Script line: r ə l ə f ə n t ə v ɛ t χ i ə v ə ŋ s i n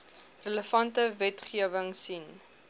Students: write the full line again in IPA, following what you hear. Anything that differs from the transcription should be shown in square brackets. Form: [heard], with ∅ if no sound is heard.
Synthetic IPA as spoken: r ə l ə f [ɐ] n t ə v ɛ t χ i ə v ə ŋ s i n